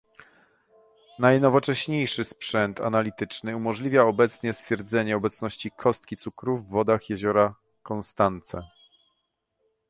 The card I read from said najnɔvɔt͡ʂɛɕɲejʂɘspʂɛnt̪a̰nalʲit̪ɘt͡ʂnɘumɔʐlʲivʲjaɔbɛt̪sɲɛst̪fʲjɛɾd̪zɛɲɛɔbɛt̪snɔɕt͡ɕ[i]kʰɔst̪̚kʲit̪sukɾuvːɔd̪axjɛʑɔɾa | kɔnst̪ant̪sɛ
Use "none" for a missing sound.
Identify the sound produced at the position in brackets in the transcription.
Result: i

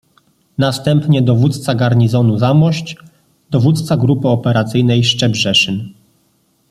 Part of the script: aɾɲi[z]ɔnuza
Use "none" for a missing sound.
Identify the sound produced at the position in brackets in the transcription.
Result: z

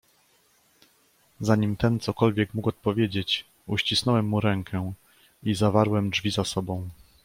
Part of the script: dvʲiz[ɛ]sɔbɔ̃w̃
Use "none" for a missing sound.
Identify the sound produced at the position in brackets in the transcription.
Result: a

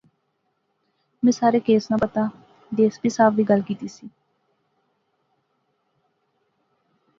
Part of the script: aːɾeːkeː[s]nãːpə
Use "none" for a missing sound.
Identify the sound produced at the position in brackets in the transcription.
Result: s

